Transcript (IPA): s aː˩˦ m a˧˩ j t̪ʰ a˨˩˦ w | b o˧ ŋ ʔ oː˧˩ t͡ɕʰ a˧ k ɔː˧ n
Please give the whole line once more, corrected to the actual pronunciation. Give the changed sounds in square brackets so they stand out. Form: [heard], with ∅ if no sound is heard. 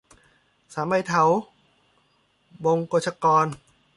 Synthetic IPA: s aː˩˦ m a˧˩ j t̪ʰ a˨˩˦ w | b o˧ ŋ [k] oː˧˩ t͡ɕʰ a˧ k ɔː˧ n